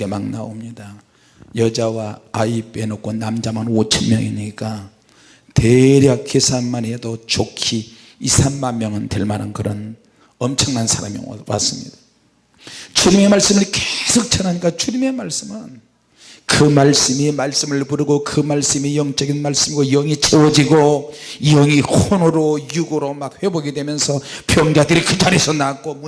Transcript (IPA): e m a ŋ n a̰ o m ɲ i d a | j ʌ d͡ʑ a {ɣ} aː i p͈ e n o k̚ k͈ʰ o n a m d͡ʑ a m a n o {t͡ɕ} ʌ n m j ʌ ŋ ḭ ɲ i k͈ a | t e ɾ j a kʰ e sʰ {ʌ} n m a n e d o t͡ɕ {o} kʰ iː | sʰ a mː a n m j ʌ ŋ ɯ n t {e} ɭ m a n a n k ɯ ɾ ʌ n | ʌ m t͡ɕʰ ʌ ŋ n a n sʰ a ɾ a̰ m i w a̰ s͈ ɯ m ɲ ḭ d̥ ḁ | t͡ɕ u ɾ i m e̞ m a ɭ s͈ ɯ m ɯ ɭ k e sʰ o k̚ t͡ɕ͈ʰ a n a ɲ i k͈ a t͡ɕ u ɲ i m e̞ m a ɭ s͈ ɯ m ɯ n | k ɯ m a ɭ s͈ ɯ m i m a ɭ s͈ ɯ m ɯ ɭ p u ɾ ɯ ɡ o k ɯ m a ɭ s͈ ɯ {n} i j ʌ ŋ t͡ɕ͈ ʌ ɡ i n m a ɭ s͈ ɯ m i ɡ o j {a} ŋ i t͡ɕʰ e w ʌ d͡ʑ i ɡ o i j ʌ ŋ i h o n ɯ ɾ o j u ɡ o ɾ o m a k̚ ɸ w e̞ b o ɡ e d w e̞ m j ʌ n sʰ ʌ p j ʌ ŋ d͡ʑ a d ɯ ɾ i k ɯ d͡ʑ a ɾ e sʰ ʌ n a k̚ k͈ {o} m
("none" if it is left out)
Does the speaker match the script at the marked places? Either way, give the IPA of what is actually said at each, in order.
w, t͡ɕʰ, a, o, e, m, ʌ, o

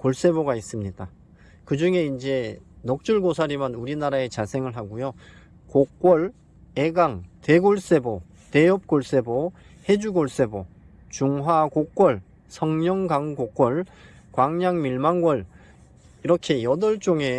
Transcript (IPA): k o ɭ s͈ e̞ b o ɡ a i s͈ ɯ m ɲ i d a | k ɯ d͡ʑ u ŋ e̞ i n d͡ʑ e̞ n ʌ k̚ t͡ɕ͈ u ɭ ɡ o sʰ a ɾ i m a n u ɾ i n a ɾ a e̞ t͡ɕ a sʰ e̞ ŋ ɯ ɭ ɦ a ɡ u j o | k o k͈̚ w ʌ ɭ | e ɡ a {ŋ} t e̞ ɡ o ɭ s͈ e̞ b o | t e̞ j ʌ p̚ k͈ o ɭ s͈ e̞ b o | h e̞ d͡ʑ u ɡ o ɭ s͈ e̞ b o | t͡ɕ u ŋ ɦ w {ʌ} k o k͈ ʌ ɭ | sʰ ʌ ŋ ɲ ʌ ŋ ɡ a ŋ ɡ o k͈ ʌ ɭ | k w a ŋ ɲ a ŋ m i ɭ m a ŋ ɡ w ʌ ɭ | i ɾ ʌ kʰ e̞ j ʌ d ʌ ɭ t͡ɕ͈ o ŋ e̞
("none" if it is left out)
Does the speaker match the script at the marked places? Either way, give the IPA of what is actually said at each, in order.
ŋ, a

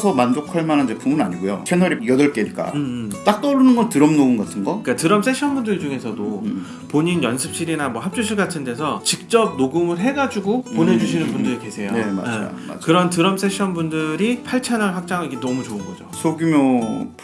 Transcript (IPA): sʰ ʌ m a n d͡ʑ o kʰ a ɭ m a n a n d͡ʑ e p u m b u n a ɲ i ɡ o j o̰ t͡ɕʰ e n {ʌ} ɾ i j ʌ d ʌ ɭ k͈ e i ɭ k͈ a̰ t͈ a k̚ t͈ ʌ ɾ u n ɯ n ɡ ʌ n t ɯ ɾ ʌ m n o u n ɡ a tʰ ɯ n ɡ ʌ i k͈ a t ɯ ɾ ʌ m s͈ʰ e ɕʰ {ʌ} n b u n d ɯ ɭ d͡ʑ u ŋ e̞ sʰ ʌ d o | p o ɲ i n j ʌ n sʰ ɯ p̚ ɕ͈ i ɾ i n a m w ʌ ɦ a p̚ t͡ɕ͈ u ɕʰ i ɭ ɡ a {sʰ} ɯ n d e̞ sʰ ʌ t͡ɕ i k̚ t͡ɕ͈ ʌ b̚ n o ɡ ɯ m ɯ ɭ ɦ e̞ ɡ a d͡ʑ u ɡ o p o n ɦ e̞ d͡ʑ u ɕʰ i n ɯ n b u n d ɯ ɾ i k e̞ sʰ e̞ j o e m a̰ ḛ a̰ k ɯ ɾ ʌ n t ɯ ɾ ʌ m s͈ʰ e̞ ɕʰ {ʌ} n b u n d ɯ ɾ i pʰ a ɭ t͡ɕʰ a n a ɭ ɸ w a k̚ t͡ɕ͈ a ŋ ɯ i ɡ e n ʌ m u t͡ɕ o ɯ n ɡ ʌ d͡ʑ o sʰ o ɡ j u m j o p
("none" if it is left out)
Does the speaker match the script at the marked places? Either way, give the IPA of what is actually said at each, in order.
ʌ, ʌ, tʰ, ʌ

